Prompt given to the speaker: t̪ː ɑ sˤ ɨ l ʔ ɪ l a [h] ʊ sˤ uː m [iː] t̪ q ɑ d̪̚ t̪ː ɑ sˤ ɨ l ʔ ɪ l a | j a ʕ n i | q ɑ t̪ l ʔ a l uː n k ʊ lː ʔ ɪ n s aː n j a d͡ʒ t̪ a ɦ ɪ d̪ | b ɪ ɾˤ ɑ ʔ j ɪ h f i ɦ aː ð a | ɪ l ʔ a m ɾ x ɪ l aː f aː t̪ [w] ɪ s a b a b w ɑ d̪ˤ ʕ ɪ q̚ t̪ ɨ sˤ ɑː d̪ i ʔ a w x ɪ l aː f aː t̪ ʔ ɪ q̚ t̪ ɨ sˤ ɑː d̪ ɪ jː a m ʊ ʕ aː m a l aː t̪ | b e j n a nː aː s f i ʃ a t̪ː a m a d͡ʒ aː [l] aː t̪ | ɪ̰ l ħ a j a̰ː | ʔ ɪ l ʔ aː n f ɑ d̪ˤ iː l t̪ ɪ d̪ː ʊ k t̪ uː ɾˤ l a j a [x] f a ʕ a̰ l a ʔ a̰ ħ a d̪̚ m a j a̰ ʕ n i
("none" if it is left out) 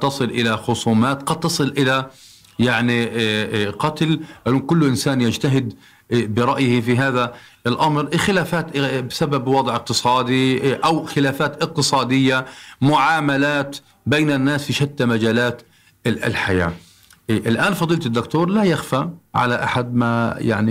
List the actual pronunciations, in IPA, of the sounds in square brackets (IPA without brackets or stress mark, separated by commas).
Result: x, aː, b, l, x